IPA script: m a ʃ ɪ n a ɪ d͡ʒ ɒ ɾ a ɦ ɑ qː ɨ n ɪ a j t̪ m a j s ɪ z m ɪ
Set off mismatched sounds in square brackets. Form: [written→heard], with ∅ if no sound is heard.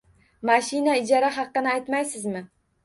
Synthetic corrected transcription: m a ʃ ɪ n a ɪ d͡ʒ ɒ ɾ a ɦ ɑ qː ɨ n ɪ a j t̪ m a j s ɪ z m ɪ